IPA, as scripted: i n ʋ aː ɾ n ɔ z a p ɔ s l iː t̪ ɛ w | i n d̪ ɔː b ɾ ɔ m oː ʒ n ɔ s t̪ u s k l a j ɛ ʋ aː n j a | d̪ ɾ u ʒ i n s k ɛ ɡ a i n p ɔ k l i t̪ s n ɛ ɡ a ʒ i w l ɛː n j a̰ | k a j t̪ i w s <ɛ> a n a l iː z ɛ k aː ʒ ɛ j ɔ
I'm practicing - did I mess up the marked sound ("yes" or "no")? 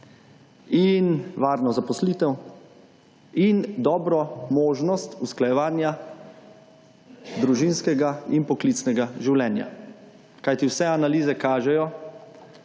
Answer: no